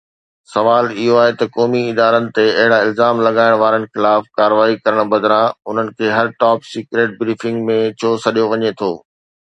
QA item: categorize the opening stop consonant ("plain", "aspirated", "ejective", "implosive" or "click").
plain